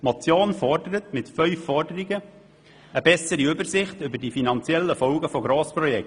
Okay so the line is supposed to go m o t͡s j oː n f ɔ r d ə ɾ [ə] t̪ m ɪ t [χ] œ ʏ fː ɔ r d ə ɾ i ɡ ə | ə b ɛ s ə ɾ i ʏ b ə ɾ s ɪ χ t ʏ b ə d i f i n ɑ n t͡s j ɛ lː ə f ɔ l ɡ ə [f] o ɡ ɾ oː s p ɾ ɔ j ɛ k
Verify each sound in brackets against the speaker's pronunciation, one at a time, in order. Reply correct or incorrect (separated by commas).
correct, incorrect, correct